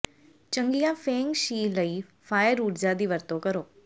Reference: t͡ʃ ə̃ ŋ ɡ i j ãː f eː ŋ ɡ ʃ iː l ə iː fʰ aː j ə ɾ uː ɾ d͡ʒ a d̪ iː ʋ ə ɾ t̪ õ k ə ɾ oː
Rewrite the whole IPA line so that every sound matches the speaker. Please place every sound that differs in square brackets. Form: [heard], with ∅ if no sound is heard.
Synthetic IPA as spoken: t͡ʃ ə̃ ŋ ɡ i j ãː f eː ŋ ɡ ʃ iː l ə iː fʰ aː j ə ɾ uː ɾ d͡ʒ a d̪ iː ʋ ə ɾ t̪ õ k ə ɾ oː